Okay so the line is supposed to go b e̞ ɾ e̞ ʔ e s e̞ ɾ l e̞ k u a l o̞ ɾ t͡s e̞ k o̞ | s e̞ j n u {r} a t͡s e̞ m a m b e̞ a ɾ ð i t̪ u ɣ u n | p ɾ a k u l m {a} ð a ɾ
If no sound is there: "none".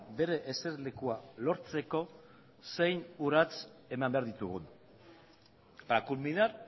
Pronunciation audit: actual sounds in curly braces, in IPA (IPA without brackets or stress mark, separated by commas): ɾ, i